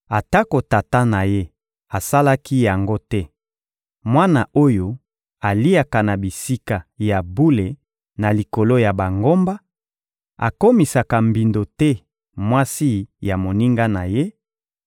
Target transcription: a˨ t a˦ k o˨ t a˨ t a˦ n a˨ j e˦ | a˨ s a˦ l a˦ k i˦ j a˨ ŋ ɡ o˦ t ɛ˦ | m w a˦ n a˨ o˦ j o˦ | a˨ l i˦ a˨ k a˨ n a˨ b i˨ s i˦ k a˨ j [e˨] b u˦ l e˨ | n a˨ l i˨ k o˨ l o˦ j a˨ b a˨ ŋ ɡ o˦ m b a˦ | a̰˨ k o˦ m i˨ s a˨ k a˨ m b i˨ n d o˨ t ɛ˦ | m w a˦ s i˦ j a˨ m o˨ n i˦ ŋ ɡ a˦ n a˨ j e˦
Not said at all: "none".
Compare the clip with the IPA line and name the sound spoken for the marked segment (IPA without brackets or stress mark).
a˨